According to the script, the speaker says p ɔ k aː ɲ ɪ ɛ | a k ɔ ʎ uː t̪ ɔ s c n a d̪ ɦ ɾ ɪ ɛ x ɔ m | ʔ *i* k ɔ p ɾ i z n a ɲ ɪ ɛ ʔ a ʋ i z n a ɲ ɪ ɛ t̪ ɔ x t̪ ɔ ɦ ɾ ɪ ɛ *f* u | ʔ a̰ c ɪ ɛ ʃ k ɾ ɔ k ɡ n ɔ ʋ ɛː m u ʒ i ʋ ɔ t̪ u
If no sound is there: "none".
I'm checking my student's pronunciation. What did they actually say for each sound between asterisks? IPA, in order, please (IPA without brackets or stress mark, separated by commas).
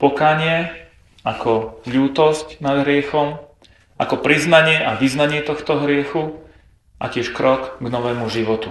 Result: a, x